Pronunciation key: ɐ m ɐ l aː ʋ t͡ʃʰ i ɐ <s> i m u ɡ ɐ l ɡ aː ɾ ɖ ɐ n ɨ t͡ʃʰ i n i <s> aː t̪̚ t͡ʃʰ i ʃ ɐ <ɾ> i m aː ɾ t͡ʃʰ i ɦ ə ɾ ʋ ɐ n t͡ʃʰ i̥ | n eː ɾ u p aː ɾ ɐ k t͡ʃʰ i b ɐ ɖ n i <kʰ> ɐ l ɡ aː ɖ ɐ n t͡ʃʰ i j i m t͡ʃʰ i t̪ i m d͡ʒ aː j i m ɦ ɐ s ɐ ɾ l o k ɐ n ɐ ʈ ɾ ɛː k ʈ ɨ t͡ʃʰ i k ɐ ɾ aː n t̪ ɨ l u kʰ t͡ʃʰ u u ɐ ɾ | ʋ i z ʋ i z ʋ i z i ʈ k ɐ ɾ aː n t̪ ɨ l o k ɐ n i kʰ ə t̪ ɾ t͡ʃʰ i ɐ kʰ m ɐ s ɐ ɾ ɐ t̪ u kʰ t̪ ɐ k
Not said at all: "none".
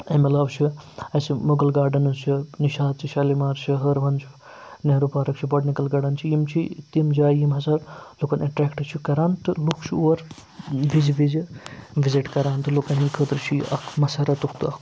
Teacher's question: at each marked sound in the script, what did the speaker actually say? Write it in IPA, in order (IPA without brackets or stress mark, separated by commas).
s, ʃ, l, k